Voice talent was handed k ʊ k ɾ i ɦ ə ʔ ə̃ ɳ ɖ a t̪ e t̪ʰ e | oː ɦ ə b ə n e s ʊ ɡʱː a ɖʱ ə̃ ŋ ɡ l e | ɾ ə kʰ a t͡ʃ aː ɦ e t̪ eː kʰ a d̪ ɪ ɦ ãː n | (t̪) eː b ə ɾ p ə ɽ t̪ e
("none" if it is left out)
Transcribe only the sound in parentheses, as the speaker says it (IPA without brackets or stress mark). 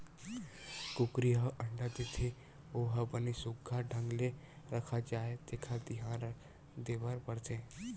d̪